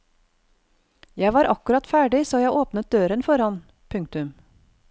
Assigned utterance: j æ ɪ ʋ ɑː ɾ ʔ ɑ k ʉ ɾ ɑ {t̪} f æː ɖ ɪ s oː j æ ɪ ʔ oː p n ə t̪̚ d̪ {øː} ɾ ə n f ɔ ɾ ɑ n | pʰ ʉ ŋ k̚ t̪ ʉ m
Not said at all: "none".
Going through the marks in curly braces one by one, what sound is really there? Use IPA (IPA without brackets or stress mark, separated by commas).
t̪, øː